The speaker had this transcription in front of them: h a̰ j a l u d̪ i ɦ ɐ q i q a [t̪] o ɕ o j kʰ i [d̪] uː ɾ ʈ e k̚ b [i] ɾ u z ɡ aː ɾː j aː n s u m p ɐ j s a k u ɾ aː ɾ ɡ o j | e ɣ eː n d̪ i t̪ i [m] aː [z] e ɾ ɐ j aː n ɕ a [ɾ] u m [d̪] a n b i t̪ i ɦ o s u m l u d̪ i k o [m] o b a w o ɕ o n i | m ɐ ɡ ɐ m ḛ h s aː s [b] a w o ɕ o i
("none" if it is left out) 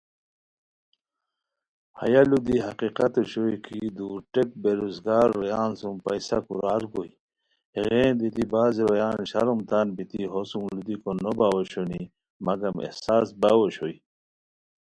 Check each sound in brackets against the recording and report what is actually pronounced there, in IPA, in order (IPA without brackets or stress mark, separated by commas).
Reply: t̪, d̪, e, b, z, ɾ, t̪, n, b